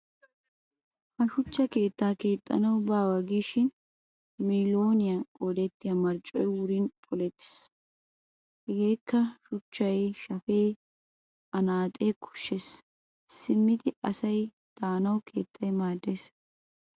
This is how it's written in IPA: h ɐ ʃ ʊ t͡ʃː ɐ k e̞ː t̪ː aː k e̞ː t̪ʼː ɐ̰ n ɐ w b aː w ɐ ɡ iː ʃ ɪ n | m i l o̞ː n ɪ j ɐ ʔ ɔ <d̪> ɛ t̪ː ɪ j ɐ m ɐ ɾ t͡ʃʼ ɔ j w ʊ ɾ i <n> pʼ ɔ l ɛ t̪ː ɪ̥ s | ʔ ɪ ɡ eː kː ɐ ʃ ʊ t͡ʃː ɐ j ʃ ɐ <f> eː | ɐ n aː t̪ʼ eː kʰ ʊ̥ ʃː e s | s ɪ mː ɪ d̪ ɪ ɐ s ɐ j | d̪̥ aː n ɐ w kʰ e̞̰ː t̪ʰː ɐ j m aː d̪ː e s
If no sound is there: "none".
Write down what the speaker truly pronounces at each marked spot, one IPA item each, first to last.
d̪, n, f

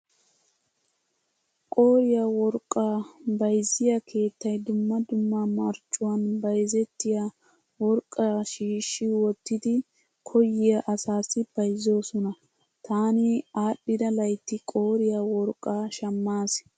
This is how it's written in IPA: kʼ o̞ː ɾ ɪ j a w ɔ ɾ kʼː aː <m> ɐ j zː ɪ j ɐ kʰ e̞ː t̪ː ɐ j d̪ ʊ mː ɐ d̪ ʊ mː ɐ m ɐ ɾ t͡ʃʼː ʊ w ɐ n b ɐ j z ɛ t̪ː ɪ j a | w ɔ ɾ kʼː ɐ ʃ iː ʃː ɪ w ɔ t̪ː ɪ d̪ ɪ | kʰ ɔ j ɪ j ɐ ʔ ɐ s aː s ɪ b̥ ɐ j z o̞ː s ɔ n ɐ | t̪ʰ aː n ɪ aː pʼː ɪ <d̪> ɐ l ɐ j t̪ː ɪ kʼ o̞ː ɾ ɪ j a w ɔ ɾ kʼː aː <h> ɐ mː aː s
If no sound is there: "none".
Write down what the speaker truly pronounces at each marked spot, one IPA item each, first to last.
b, d̪, ʃ

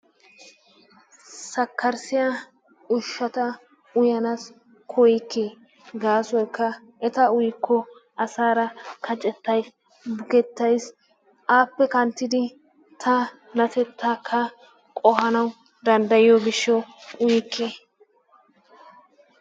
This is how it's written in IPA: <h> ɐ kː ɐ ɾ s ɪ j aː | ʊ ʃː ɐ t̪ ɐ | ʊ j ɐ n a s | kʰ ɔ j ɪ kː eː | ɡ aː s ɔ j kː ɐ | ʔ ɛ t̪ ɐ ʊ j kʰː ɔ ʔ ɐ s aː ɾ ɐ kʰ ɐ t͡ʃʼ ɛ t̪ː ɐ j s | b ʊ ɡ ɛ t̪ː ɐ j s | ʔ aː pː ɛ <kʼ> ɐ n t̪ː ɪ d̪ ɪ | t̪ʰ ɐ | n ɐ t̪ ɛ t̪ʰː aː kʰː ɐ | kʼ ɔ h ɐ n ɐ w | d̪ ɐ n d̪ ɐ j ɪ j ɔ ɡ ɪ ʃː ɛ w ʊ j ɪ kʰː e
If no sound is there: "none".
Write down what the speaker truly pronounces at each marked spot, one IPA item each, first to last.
s, k

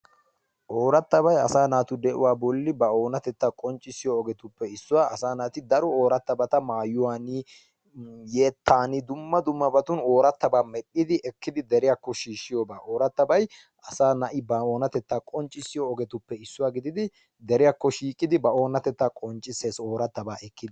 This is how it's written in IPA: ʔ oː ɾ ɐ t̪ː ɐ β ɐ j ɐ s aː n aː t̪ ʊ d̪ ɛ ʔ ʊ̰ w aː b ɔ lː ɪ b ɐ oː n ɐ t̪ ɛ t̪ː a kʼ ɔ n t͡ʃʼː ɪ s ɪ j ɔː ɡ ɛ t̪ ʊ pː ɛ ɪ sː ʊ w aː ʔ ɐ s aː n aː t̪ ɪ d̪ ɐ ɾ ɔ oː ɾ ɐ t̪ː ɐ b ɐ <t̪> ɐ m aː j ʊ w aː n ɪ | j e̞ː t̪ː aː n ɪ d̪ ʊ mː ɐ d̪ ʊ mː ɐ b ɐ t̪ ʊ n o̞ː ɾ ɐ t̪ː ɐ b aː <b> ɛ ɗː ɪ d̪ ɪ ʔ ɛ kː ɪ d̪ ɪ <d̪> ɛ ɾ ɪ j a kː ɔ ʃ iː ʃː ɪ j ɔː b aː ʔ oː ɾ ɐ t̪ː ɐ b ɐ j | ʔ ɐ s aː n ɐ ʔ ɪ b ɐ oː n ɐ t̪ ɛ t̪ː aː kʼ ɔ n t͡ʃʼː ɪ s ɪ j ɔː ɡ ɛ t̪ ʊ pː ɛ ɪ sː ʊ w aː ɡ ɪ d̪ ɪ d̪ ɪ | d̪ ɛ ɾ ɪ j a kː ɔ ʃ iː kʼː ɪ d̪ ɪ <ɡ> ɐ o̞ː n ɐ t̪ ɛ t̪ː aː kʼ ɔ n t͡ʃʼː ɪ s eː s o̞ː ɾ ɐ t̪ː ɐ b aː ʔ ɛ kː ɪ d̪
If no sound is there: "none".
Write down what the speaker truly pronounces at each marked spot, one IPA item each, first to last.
t̪, m, d̪, b

